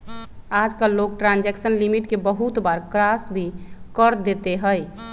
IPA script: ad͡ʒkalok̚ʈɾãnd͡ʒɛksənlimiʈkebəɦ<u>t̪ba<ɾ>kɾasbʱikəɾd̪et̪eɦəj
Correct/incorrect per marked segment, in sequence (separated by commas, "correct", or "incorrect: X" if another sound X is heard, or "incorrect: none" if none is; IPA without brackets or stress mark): correct, correct